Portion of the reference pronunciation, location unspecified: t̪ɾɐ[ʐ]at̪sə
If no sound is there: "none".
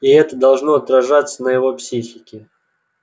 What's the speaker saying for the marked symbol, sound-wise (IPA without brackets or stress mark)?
ʐ